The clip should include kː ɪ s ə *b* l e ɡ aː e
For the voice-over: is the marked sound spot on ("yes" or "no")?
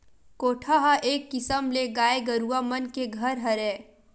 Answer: no